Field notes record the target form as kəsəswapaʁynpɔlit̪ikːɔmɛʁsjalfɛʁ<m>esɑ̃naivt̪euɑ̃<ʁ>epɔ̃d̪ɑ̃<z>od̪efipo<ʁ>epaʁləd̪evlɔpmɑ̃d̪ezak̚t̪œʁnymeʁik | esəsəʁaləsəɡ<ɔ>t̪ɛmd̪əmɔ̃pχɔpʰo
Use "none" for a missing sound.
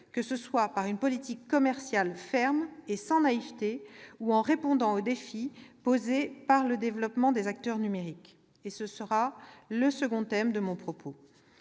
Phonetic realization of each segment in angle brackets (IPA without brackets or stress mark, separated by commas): m, ʁ, none, z, ɔ̃